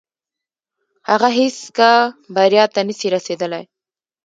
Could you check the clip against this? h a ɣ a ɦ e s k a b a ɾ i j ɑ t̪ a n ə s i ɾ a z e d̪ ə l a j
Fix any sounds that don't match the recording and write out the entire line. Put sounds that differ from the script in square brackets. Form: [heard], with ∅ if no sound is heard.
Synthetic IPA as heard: h a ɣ a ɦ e s k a b a ɾ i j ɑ t̪ a n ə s i ɾ a [s] e d̪ ə l a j